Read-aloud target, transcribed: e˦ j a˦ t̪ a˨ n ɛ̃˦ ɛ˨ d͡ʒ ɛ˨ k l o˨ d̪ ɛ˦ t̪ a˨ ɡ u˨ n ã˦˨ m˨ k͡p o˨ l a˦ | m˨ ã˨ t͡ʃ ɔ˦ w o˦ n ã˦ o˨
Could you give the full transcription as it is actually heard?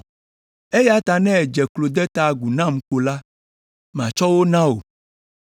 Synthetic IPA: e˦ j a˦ t̪ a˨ n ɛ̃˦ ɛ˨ d͡ʒ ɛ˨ k l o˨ d̪ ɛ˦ t̪ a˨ ɡ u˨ n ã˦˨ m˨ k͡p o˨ l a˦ | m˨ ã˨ t͡ʃ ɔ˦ w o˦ n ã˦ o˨